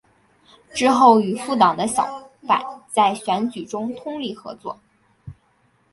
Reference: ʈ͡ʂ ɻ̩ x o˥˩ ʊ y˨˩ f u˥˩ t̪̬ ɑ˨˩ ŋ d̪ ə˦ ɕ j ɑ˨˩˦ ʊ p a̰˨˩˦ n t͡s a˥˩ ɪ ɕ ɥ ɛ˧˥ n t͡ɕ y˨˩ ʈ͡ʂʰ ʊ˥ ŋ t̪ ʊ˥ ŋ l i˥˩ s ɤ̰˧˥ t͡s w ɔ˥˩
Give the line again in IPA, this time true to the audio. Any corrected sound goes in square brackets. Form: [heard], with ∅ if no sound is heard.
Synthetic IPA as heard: ʈ͡ʂ ɻ̩ x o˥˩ ʊ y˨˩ f u˥˩ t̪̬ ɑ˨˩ ŋ d̪ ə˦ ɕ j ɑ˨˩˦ ʊ p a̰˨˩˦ n t͡s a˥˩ ɪ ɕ ɥ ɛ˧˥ n t͡ɕ y˨˩ [ʈ͡ʂ] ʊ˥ ŋ [t̪ʰ] ʊ˥ ŋ l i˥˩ [x] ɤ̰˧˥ t͡s w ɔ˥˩